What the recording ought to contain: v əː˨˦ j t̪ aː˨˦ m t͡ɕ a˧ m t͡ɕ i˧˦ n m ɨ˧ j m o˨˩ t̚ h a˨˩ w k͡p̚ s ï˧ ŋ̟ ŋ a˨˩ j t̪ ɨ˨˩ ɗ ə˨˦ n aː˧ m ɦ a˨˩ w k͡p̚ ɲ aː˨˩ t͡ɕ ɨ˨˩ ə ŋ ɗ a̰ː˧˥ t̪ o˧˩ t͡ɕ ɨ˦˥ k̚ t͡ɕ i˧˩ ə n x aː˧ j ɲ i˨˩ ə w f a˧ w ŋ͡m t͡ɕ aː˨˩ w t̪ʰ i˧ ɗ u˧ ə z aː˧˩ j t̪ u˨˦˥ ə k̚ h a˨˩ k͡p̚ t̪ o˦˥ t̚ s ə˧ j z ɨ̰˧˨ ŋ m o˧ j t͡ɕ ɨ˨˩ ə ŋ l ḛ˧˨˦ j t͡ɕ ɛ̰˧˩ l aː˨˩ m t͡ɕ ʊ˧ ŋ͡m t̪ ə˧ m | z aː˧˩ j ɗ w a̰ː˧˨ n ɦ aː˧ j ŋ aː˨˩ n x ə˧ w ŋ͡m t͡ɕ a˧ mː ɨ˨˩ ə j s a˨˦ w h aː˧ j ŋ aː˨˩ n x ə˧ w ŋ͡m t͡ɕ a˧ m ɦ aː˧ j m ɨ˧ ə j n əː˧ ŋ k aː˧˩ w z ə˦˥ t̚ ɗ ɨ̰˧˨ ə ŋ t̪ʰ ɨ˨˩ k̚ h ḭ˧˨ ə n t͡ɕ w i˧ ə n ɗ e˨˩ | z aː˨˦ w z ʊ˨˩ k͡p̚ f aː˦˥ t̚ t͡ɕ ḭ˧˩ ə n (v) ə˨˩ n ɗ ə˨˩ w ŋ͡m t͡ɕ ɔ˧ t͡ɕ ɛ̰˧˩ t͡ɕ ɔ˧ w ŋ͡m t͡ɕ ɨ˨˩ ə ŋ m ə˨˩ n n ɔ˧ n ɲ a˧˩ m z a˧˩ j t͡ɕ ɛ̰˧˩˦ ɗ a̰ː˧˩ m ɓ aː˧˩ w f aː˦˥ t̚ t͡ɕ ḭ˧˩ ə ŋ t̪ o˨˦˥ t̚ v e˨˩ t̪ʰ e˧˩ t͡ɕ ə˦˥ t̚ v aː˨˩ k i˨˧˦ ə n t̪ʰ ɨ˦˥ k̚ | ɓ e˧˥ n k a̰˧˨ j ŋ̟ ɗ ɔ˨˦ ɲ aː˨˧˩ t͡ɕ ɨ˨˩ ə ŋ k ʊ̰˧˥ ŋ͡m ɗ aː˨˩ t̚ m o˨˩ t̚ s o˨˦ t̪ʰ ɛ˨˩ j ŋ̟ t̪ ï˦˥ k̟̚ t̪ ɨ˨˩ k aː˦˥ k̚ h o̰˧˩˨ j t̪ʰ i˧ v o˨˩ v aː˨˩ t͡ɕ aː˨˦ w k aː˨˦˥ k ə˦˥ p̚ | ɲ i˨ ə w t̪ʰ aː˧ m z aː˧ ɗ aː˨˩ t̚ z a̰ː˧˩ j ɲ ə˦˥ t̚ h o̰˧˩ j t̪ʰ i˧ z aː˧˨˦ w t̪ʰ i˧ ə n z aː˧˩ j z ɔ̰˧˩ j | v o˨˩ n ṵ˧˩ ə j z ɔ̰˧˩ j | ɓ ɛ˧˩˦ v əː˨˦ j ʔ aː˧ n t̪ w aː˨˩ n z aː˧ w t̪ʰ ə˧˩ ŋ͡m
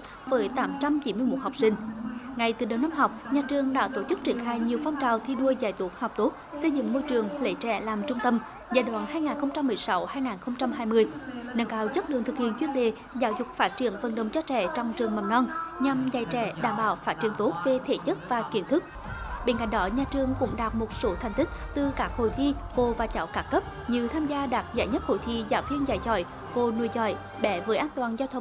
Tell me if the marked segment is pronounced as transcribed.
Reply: yes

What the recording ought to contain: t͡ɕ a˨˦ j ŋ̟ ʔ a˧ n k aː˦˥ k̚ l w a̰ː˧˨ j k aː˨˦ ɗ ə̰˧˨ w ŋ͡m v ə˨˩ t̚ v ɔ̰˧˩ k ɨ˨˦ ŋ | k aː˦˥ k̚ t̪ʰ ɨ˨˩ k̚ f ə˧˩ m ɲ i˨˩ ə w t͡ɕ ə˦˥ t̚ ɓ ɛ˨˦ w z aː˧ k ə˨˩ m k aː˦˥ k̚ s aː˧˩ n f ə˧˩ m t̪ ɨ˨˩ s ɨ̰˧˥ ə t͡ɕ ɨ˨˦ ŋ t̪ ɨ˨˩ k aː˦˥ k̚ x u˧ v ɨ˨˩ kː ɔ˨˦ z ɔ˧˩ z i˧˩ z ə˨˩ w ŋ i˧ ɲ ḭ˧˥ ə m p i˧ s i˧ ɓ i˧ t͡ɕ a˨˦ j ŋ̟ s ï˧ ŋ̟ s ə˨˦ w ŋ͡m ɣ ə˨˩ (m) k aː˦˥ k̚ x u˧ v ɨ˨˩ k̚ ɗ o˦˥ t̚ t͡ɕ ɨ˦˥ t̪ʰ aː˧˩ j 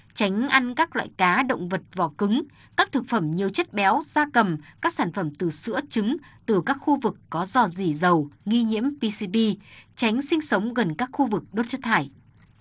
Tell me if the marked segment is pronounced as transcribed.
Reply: no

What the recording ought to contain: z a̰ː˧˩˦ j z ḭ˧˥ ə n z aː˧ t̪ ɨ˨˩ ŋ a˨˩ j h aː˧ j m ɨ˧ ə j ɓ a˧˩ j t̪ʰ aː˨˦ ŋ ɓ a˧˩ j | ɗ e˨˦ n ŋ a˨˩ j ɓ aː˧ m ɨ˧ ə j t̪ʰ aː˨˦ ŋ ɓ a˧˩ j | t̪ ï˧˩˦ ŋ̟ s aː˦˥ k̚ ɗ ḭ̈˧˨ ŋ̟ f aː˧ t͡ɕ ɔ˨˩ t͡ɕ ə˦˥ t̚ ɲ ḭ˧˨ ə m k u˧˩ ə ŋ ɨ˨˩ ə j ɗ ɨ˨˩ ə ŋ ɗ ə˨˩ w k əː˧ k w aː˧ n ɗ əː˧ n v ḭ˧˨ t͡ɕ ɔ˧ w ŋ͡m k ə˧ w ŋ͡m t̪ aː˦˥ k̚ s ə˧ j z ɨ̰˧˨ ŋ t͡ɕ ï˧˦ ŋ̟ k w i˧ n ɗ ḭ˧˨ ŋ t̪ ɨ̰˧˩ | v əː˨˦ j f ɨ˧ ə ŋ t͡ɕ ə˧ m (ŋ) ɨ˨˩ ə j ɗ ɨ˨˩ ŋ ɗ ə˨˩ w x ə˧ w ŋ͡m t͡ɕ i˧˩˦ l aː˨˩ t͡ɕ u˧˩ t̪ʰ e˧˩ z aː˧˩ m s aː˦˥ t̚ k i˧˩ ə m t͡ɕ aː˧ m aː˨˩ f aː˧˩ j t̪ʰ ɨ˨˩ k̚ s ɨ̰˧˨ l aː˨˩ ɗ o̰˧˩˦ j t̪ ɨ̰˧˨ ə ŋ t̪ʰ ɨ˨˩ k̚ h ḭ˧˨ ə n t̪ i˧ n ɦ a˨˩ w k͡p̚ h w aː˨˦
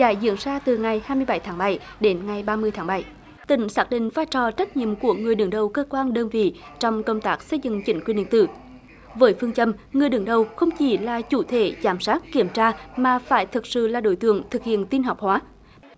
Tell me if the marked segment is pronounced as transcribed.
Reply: yes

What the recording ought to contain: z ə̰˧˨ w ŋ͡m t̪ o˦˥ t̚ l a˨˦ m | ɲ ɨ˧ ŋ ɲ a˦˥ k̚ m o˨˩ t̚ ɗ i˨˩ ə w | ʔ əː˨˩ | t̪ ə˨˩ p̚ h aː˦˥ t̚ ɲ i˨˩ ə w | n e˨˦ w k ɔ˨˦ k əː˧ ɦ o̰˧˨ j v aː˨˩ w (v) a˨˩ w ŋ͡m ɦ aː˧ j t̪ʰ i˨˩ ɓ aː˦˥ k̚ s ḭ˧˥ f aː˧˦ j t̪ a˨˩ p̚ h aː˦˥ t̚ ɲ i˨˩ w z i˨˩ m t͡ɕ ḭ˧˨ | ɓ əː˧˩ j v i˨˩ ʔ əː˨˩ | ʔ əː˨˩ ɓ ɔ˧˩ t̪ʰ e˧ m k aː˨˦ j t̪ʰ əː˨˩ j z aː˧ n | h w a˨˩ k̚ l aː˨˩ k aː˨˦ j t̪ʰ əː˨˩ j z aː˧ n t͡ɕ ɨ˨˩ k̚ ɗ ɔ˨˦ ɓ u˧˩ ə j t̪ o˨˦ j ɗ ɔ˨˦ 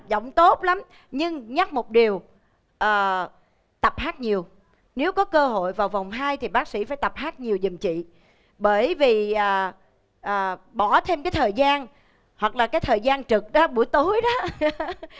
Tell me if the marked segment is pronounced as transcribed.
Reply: yes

